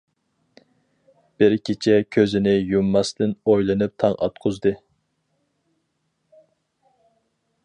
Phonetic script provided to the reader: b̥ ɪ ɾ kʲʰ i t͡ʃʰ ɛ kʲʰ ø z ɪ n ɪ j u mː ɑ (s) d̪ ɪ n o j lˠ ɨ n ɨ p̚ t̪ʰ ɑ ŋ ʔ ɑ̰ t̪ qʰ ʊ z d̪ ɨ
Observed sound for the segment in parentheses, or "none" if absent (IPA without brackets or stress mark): s